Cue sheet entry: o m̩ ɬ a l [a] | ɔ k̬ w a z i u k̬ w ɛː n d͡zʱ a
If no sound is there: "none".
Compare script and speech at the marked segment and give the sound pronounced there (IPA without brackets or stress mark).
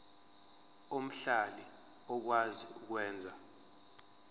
i